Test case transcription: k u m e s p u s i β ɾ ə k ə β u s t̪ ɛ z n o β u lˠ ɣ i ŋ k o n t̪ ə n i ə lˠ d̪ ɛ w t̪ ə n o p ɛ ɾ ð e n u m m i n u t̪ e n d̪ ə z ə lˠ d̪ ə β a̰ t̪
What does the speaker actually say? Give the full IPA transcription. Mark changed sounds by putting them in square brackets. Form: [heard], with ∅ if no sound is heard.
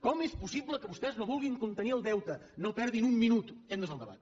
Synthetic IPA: k [ɔ] m e s p u s i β [l] ə k ə β u s t̪ ɛ z n o β u lˠ ɣ i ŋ k [u] n t̪ ə n i ə lˠ d̪ ɛ w t̪ ə n o p ɛ ɾ ð [i] n u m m i n u t̪ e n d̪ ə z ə lˠ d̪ ə β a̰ t̪

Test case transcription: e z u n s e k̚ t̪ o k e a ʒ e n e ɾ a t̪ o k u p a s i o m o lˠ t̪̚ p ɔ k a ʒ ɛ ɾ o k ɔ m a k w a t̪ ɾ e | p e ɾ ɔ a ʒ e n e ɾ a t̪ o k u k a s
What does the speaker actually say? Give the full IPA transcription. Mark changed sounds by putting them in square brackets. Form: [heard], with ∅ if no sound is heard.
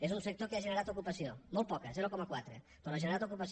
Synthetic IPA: e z u n s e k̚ t̪ o k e a ʒ e n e ɾ a t̪ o k u p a s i o m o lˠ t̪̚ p ɔ k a [z] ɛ ɾ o k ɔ m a k w a t̪ ɾ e | p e ɾ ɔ a ʒ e n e ɾ a t̪ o k u [p] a s

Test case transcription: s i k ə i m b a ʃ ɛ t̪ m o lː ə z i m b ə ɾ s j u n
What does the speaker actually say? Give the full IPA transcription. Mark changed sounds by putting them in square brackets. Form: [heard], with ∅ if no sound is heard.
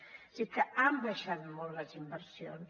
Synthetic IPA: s i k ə [a] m b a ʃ [a] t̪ m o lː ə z i m b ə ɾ s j [o] n

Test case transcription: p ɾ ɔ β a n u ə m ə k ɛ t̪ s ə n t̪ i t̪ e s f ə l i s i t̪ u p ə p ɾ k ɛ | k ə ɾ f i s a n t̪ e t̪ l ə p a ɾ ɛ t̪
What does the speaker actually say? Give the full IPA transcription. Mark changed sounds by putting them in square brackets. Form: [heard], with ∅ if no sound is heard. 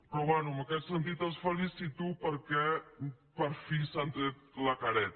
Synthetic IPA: p ɾ ɔ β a n u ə m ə k ɛ t̪ s ə n t̪ i t̪ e s f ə l i s i t̪ u p ə [∅] ɾ k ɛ | [p] ə ɾ f i s a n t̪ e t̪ l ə [k] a ɾ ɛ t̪

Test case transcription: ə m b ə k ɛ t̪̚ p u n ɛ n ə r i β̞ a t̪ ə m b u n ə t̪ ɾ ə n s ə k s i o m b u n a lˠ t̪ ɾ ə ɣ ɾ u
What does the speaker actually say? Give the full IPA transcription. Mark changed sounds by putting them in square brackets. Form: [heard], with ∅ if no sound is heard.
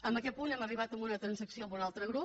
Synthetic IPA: ə m b ə k ɛ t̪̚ p u n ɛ [m] ə r i β̞ a t̪ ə m b u n ə t̪ ɾ ə n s ə k s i o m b u n a lˠ t̪ ɾ ə ɣ ɾ u

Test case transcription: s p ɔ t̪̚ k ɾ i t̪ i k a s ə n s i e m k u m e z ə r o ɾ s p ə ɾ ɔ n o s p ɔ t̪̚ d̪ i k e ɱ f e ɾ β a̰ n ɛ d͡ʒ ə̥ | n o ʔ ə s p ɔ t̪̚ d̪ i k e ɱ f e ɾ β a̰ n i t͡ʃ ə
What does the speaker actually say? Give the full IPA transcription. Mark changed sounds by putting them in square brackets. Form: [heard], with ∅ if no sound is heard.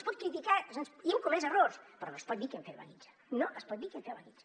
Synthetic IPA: s p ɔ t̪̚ k ɾ i t̪ i k a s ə n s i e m k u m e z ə r o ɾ s p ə ɾ ɔ n o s p ɔ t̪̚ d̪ i k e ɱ f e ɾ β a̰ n [i] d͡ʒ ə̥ | n o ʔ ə s p ɔ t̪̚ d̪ i k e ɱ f e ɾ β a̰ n i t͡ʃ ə

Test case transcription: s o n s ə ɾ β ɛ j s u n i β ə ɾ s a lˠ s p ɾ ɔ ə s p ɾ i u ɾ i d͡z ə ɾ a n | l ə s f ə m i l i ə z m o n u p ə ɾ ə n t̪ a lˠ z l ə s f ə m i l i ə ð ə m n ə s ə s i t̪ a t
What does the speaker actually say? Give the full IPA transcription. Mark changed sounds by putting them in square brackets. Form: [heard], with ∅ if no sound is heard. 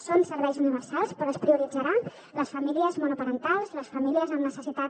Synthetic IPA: s o n s ə ɾ β ɛ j [z] u n i β ə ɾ s a lˠ s p ɾ ɔ ə s p ɾ i u ɾ i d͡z ə ɾ a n | l ə s f ə m i l i ə z m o n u p ə ɾ ə n t̪ a lˠ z l ə s f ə m i l i ə [z] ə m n ə s ə s i t̪ a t

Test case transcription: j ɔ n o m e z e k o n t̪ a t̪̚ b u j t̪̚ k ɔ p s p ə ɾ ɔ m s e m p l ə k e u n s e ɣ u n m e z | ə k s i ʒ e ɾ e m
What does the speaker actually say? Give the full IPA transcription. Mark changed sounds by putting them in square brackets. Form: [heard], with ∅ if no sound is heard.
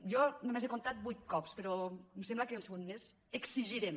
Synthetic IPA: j ɔ n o m e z e k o n t̪ a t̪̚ b u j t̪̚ k ɔ p s p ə ɾ ɔ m s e m [b] l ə k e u n s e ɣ u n m e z | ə k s i ʒ [i] ɾ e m

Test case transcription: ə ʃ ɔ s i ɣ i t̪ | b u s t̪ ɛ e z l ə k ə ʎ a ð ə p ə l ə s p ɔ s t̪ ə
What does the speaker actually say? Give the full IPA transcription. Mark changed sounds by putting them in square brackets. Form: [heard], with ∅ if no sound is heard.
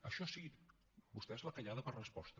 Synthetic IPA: ə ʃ ɔ s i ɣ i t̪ | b u s t̪ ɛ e z l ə k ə ʎ a ð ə p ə [r] ə s p ɔ s t̪ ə

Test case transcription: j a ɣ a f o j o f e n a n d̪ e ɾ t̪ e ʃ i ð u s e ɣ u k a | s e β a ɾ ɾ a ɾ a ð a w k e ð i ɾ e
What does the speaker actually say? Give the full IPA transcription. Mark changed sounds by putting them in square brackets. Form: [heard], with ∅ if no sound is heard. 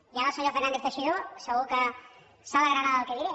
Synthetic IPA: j a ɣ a [s] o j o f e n a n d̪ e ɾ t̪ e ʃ i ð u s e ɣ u k a | s [a] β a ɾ ɾ a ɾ a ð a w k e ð i ɾ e

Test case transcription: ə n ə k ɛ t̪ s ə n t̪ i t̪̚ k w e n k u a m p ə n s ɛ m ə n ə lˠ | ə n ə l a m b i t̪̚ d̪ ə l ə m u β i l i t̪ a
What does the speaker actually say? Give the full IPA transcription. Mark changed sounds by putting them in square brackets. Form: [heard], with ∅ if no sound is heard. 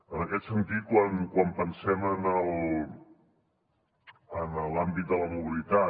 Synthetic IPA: ə n ə k ɛ t̪ s ə n t̪ i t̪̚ k w [a] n k [w] a m p ə n s ɛ m ə n ə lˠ | ə n ə l a m b i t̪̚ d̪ ə l ə m u β i l i t̪ a

